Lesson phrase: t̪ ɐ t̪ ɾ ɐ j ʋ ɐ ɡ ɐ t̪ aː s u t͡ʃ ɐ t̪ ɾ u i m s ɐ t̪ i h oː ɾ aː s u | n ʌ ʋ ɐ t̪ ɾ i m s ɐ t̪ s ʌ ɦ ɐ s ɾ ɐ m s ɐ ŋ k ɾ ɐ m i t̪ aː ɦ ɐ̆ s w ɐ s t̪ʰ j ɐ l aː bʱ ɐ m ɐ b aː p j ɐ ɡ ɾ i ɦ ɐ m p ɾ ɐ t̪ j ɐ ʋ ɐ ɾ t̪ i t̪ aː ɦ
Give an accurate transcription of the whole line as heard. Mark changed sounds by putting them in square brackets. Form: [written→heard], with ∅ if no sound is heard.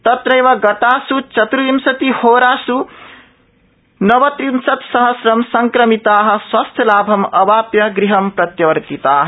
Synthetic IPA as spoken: t̪ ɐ t̪ ɾ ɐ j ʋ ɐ ɡ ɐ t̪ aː s u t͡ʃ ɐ t̪ ɾ u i m s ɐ t̪ i h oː ɾ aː s u | n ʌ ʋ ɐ t̪ ɾ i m s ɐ t̪ s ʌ ɦ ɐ s ɾ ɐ m s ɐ ŋ k ɾ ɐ m i t̪ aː ɦ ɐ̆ s w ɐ s t̪ʰ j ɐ l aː bʱ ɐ m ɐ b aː p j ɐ ɡ ɾ i ɦ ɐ m p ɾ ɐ t̪ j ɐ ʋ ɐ ɾ t̪ i t̪ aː ɦ